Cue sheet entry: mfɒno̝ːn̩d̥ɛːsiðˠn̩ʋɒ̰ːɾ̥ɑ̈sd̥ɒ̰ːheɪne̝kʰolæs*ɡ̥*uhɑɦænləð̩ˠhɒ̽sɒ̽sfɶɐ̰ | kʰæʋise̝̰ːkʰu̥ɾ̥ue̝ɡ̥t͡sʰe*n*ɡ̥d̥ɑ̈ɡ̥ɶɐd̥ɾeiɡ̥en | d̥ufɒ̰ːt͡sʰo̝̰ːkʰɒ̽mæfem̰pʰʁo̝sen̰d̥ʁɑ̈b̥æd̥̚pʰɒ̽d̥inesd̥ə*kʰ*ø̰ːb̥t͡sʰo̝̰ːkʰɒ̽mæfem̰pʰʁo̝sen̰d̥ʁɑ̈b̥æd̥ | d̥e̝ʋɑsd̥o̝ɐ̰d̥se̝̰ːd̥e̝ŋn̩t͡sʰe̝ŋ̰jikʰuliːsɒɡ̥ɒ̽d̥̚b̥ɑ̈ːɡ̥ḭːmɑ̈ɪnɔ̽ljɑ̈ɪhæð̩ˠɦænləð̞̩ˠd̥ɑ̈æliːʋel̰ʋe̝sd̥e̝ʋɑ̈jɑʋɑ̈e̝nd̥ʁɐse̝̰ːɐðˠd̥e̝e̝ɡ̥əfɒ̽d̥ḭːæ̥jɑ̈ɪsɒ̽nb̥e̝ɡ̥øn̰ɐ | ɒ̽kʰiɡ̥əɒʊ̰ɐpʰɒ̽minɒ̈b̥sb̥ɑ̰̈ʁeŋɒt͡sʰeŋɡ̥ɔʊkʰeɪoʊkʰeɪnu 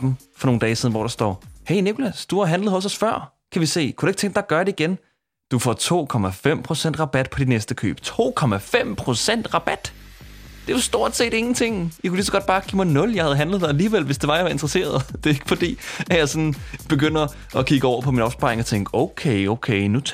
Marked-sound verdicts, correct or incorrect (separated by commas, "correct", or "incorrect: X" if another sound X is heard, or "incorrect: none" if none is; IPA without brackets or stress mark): incorrect: d̥, incorrect: ŋ, correct